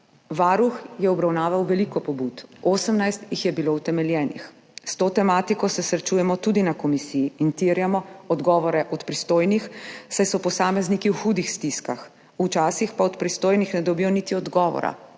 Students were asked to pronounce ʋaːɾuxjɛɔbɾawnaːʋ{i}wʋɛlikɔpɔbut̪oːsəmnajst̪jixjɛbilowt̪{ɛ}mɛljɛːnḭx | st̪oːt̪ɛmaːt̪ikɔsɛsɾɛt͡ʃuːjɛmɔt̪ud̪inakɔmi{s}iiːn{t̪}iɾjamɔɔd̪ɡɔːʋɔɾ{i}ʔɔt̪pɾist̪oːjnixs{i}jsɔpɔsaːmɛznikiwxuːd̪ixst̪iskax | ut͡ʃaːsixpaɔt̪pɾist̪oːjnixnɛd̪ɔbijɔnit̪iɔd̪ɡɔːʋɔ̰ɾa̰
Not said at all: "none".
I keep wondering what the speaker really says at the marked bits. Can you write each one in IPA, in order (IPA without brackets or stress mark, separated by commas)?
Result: a, ɛ, s, t̪, ɛ, a